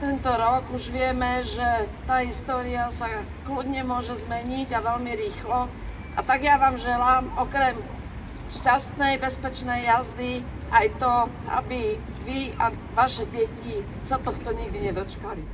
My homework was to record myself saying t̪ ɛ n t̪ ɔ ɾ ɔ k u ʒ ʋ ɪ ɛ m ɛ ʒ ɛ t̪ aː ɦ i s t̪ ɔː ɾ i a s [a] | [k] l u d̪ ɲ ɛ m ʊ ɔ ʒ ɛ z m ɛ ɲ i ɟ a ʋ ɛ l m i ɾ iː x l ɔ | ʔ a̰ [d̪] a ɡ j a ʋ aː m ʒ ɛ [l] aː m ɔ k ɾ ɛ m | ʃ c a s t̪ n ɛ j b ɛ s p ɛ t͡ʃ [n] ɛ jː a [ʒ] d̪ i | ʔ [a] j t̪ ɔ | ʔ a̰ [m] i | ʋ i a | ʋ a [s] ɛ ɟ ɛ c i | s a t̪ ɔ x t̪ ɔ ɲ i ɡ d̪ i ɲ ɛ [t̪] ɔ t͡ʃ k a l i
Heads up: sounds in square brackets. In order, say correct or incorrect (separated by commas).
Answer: correct, correct, incorrect, correct, correct, incorrect, correct, incorrect, incorrect, incorrect